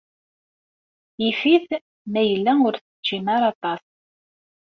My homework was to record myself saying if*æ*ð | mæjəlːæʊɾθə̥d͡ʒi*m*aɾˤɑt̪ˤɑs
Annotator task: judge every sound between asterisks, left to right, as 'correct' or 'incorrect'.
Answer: incorrect, correct

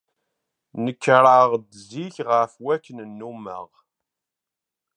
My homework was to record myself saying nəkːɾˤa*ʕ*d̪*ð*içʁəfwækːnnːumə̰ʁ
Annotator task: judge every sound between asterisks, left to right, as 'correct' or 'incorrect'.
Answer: incorrect, incorrect

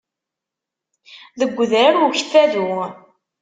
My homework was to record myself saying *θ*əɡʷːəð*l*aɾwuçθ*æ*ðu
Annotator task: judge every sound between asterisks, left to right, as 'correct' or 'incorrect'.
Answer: incorrect, incorrect, correct

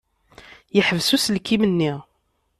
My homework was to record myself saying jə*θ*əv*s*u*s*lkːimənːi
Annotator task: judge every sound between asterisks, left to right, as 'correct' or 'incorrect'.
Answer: incorrect, correct, correct

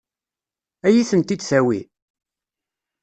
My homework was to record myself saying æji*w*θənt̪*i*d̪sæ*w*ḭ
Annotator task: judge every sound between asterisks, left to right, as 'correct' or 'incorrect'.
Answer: incorrect, correct, correct

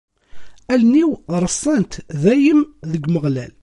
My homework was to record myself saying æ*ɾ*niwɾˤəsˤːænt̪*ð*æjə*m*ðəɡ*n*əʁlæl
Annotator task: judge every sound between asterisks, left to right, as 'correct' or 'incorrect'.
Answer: incorrect, correct, correct, incorrect

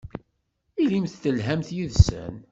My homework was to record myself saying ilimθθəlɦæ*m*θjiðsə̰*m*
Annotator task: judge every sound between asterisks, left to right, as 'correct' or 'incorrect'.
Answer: correct, incorrect

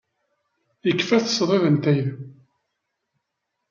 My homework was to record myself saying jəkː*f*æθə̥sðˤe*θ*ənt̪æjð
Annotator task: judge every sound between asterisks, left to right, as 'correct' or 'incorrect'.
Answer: correct, incorrect

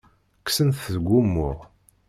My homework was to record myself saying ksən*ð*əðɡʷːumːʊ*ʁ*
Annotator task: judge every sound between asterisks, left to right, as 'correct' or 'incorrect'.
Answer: incorrect, correct

